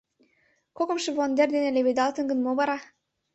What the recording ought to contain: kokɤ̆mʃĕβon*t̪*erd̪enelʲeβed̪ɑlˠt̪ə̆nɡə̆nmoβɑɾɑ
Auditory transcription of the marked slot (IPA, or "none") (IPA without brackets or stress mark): d̪